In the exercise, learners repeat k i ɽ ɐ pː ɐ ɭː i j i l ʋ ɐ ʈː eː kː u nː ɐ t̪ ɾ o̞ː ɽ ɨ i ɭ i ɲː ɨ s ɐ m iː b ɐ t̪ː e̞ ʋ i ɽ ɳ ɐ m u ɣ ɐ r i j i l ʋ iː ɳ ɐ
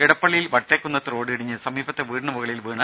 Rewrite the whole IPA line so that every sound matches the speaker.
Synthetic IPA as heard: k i ɽ ɐ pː ɐ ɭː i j i l ʋ ɐ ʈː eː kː u nː ɐ t̪ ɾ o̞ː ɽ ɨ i ɽ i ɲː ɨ s ɐ m iː b ɐ t̪ː e̞ ʋ iː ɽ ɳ ɐ m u ɣ ɐ ɭ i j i l ʋ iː ɳ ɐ